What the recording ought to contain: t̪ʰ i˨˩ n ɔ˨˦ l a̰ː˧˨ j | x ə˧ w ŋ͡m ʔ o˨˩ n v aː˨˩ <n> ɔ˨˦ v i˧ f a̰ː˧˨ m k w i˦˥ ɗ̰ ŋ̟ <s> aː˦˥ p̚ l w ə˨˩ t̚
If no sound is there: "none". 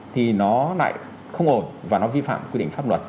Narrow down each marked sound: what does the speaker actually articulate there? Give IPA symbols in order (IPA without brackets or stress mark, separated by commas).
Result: n, f